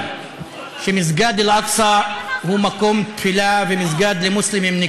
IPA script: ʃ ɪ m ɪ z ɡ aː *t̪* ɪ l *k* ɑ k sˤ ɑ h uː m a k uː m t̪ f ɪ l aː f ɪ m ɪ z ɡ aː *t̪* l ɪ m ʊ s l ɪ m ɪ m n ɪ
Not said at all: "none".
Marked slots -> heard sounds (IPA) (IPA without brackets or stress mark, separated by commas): d̪, ʔ, d̪